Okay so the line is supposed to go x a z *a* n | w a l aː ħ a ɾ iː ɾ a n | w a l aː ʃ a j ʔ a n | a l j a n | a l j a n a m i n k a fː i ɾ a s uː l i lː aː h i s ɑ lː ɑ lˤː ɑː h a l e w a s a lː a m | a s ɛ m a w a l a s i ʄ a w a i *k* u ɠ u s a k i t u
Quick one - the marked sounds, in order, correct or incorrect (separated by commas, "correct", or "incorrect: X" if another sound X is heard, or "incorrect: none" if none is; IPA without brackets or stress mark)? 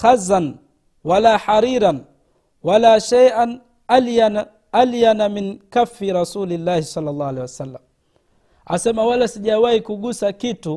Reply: correct, correct